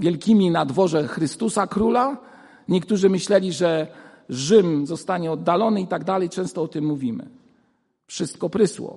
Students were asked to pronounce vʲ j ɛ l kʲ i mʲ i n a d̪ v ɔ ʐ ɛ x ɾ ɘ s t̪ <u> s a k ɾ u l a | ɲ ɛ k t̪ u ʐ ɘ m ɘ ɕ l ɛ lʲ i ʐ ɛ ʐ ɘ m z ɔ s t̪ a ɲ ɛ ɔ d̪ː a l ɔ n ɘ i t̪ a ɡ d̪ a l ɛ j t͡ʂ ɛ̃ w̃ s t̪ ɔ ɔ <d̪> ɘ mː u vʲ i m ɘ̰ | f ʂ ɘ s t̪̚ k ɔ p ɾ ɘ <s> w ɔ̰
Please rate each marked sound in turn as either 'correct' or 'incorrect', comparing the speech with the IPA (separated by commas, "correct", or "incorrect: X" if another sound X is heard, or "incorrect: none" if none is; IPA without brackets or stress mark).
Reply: correct, incorrect: t̪, correct